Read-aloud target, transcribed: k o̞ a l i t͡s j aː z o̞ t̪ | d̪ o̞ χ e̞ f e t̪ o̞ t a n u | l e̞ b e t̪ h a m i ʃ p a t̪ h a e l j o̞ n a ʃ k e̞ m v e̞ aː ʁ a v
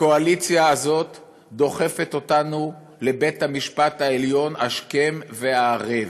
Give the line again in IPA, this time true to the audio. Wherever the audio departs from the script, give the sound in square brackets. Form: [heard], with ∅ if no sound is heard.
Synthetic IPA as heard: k o̞ a l i t͡s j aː z o̞ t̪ | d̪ o̞ χ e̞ f e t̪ o̞ t a n u | l e̞ b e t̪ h a m i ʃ p a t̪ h a e l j o̞ n a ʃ k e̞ m v e̞ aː ʁ [e] v